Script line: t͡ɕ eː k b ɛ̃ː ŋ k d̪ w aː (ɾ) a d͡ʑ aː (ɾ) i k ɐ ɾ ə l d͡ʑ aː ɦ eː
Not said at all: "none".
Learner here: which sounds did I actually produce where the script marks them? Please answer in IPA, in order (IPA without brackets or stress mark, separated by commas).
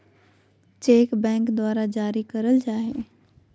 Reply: ɾ, ɾ